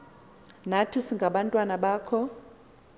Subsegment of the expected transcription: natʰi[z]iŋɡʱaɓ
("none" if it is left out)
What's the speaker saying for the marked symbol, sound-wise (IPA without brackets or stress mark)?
s